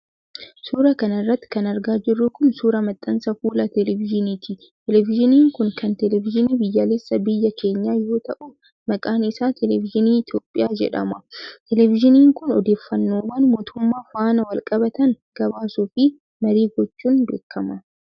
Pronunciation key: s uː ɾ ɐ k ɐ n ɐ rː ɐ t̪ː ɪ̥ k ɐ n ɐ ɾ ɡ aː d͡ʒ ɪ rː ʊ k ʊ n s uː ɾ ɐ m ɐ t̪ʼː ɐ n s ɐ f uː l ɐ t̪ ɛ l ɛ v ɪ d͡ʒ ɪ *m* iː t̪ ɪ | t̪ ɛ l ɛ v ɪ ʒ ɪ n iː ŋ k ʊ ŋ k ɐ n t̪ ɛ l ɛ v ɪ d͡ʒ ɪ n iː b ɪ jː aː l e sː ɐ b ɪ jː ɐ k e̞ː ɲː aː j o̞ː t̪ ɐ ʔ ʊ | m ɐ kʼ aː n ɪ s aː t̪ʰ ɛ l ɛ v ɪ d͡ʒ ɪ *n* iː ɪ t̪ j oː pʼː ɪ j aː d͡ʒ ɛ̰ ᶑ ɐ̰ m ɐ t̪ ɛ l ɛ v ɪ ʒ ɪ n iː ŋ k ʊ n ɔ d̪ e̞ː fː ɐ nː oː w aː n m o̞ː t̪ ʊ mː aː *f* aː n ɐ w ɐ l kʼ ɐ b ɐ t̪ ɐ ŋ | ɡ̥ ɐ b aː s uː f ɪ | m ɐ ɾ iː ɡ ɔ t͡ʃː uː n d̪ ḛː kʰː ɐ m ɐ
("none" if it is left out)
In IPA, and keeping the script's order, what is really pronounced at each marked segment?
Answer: n, n, f

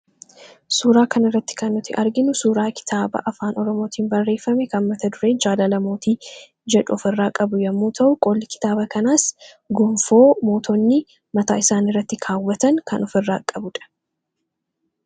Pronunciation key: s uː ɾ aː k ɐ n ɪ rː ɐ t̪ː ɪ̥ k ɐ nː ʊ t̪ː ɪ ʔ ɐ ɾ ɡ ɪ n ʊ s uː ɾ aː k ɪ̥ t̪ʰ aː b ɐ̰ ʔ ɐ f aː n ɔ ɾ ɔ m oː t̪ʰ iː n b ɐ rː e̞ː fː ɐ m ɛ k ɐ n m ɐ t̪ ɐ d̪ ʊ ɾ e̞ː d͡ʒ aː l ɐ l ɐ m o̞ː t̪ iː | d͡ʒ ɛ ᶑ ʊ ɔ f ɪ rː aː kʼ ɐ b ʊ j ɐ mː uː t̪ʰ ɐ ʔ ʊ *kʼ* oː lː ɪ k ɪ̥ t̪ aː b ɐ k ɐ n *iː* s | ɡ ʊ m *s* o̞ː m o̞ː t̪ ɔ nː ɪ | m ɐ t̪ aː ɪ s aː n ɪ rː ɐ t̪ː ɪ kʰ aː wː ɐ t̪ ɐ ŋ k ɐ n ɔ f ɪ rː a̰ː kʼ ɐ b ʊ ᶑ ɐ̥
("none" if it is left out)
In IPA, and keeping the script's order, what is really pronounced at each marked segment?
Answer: kʼ, aː, f

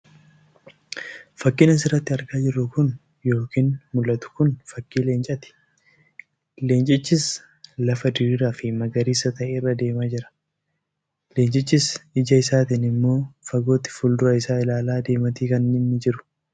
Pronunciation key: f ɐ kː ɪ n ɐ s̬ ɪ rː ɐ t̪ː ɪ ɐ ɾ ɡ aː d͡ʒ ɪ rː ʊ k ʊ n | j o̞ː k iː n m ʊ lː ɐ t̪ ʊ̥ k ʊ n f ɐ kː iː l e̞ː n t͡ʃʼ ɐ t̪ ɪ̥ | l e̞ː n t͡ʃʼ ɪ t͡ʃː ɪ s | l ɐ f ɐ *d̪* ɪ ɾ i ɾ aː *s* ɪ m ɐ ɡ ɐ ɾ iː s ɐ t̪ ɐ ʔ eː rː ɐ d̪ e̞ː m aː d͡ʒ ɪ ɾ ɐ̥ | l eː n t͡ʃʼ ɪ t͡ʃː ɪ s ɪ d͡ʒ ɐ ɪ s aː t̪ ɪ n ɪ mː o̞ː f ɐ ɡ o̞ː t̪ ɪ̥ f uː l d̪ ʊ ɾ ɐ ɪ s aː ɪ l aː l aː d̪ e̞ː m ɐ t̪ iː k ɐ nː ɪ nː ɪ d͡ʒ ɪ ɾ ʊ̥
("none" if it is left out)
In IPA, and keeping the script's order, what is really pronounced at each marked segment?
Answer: d̪, f

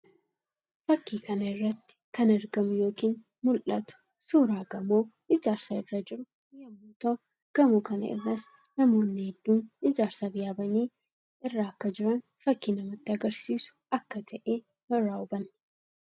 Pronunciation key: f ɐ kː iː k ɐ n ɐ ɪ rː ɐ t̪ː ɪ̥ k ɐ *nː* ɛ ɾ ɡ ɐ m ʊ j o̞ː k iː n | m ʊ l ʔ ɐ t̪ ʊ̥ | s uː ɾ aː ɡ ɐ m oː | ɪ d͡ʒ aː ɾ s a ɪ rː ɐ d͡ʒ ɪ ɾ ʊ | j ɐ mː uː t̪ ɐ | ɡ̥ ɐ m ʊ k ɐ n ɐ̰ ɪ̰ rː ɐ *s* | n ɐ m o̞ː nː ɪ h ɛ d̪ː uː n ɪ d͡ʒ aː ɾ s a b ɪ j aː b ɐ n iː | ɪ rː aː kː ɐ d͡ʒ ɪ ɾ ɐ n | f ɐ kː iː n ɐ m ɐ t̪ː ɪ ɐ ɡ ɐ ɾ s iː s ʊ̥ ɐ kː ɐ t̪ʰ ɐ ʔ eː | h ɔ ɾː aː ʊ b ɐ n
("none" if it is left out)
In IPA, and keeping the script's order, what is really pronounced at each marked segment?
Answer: n, s

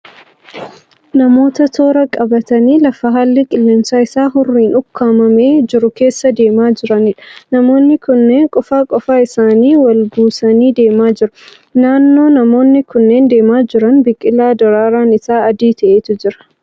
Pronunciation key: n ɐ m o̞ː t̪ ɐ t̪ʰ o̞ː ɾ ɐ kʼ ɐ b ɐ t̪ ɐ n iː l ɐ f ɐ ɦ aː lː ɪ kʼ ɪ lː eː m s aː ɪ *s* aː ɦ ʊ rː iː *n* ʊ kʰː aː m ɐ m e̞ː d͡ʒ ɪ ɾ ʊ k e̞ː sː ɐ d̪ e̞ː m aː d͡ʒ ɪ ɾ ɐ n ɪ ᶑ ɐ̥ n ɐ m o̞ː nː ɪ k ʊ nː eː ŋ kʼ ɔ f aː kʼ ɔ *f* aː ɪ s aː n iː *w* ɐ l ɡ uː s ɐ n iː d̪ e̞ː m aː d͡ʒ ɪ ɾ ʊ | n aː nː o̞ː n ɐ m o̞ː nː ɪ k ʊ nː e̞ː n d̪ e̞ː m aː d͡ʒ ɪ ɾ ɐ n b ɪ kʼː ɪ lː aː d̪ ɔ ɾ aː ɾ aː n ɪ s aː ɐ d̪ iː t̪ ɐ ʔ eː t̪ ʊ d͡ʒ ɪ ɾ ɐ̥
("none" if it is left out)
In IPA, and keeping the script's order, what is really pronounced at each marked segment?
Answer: s, n, f, w

